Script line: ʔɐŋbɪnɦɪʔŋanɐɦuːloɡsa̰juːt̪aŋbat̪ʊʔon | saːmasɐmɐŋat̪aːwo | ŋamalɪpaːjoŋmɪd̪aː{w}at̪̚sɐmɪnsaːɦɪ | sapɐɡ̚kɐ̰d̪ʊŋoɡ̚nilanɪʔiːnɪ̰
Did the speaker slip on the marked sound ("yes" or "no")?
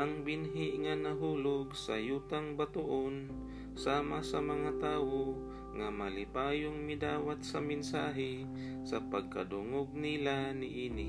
no